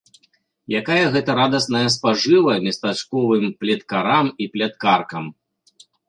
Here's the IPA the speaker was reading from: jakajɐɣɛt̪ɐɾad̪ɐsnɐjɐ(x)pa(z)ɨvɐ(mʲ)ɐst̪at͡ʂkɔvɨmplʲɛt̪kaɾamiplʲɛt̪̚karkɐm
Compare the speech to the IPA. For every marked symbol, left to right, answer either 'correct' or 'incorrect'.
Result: incorrect, incorrect, correct

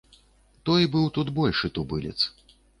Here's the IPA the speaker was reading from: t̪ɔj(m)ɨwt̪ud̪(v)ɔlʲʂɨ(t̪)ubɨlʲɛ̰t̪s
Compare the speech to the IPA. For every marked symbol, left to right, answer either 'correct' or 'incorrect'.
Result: incorrect, incorrect, correct

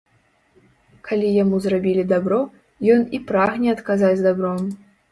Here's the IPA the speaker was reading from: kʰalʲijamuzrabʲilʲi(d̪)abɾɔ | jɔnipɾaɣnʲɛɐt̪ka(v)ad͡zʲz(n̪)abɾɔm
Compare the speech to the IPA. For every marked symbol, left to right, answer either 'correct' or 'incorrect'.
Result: correct, incorrect, incorrect

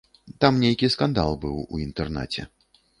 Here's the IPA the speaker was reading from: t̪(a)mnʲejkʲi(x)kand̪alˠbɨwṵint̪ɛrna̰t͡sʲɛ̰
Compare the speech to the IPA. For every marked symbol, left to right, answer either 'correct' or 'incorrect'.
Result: correct, incorrect

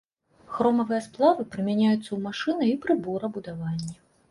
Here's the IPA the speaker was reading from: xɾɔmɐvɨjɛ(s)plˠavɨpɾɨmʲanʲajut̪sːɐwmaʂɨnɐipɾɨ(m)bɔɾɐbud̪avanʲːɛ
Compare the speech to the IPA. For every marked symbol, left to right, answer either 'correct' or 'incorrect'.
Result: correct, incorrect

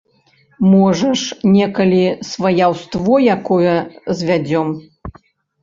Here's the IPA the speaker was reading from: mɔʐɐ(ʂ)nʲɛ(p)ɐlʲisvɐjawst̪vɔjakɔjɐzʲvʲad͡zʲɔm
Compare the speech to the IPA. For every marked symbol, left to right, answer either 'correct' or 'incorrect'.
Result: correct, incorrect

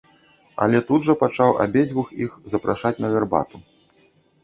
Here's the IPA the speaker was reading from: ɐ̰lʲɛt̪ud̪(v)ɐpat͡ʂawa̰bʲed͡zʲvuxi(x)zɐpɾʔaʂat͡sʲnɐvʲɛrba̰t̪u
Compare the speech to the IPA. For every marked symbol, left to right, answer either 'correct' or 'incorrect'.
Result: incorrect, correct

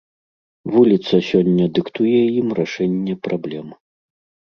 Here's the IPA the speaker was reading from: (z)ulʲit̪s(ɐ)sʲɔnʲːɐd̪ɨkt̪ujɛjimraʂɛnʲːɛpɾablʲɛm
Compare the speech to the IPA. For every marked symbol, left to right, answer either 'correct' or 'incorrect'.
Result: incorrect, correct

